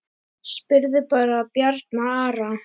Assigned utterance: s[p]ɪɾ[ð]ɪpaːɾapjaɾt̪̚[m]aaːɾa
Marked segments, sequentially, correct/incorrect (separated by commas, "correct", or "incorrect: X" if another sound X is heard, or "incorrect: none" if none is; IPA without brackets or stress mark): correct, correct, incorrect: n